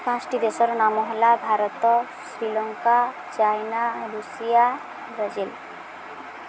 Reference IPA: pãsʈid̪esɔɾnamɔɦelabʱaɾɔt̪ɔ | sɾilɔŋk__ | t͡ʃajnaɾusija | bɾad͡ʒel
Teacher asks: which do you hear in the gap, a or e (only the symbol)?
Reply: a